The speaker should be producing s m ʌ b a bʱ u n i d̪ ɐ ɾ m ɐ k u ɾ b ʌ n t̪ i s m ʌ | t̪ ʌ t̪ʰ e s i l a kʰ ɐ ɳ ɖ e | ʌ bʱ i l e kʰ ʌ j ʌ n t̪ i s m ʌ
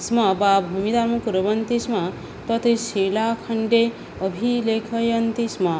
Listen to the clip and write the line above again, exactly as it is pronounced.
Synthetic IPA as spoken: s m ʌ b a bʱ u m i d̪ a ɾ m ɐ k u ɾ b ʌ n t̪ i s m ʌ | t̪ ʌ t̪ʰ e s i l a kʰ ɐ ɳ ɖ e | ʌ bʱ i l e kʰ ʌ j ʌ n t̪ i s m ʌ